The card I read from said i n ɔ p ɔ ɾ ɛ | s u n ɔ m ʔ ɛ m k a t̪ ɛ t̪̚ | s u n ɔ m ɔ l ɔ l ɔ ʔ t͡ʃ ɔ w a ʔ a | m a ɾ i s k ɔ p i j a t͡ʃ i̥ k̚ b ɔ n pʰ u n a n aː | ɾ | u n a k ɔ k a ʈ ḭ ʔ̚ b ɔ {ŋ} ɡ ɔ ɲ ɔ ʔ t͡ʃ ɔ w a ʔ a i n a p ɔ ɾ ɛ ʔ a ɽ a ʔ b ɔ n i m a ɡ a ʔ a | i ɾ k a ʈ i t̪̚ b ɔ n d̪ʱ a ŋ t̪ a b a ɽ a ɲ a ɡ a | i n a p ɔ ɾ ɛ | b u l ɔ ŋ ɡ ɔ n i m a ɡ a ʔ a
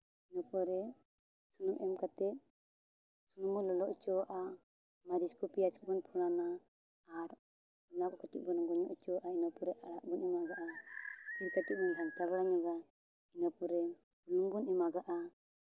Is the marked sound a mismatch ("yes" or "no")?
yes